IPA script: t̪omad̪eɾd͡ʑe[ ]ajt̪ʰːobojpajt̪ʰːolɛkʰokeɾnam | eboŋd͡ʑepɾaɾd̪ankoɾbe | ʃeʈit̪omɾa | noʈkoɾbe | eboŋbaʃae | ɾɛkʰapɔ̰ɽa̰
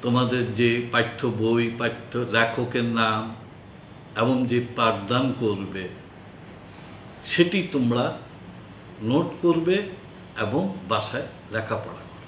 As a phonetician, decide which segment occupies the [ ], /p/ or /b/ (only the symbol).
p